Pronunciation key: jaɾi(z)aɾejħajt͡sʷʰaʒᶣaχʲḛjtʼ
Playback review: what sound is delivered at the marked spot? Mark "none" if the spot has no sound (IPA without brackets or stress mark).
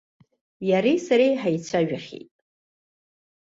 s